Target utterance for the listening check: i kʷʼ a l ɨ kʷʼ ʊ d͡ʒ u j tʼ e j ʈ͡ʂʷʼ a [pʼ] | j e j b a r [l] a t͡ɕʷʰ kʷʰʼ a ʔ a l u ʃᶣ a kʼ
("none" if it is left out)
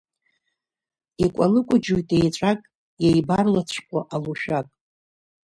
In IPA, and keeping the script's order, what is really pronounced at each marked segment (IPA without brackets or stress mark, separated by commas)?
kʼ, l